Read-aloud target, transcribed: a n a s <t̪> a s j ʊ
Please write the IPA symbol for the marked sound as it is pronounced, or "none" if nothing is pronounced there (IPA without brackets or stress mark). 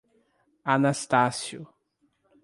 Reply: t̪